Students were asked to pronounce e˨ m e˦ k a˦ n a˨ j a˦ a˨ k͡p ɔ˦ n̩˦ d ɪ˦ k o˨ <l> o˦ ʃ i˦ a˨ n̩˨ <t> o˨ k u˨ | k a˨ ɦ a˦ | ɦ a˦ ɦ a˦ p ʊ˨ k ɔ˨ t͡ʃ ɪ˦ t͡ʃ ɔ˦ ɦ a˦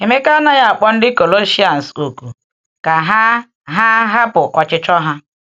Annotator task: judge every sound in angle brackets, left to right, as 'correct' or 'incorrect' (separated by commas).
correct, incorrect